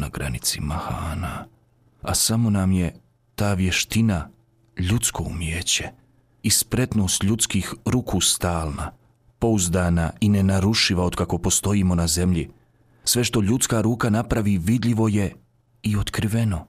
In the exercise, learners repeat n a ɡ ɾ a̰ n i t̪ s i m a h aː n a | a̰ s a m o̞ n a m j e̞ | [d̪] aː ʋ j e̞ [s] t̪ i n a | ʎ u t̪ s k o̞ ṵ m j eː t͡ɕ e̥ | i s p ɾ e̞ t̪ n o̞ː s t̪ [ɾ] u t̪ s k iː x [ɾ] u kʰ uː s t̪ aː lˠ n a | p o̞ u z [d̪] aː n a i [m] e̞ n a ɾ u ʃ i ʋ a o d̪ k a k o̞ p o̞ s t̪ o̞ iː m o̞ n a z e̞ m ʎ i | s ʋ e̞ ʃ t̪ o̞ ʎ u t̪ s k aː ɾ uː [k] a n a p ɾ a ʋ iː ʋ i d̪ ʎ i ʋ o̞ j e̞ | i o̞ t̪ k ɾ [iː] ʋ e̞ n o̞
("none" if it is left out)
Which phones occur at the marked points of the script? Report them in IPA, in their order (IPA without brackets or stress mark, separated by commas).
t̪, ʃ, ʎ, ɾ, d̪, n, k, i